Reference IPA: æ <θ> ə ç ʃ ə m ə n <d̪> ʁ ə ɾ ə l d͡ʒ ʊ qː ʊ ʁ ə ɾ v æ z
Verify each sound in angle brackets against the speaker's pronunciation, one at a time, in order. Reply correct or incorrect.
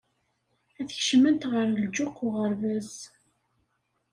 correct, incorrect: t̪

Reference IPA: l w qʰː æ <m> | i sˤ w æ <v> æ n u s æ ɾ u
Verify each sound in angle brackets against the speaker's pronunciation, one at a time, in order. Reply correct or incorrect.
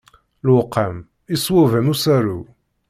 correct, correct

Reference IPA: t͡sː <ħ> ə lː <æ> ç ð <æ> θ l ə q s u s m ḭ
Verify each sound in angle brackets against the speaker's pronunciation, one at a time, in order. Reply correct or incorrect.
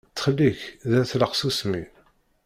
incorrect: χ, incorrect: i, correct

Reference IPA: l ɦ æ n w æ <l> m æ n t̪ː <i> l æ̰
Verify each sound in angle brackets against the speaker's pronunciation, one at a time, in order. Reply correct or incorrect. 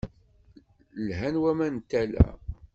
incorrect: none, incorrect: æ

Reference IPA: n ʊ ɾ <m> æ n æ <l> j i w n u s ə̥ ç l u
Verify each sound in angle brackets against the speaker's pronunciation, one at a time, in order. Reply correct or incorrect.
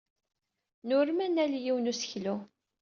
correct, correct

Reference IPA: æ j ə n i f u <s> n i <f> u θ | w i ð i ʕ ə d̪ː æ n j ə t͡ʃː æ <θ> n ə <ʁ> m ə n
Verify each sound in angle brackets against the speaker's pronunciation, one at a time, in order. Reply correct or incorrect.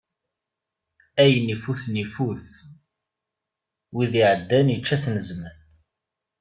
incorrect: θ, correct, correct, incorrect: z

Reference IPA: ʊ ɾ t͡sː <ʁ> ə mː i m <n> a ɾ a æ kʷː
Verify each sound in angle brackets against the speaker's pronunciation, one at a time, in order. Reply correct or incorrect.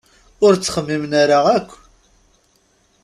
incorrect: χ, correct

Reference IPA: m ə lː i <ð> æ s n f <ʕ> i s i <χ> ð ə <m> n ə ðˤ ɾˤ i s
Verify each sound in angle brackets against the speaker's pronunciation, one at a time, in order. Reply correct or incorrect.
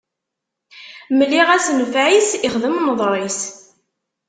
incorrect: ʁ, correct, correct, correct

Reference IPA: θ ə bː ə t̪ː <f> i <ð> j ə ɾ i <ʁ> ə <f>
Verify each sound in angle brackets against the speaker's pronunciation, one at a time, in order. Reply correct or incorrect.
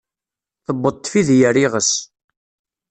correct, correct, correct, incorrect: s

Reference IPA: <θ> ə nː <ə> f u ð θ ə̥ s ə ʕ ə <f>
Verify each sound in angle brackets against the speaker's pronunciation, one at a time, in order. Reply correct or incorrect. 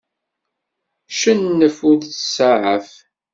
incorrect: ʃ, correct, correct

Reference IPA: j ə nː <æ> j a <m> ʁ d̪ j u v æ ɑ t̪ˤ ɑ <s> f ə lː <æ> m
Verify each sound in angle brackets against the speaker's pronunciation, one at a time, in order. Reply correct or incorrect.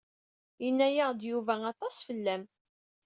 correct, incorrect: none, correct, correct

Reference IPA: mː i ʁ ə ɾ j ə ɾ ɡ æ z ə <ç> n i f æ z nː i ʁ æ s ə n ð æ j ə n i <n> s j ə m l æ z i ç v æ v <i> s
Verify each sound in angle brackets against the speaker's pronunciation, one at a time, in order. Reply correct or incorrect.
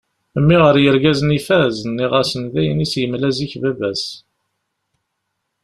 incorrect: none, incorrect: none, incorrect: æ

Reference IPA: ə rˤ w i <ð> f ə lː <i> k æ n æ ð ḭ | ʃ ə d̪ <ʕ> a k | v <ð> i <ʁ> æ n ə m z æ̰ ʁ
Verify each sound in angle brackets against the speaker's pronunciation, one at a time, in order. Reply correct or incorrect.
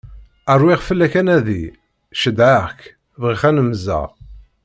incorrect: ʁ, incorrect: æ, correct, incorrect: ʁ, incorrect: χ

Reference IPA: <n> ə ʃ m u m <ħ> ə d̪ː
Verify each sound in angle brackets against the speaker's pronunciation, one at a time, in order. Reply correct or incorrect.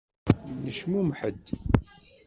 correct, correct

